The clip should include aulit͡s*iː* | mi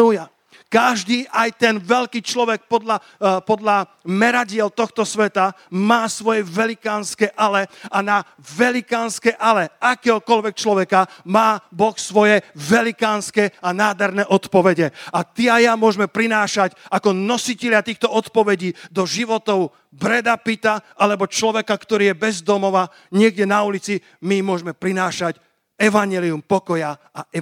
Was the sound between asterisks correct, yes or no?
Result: no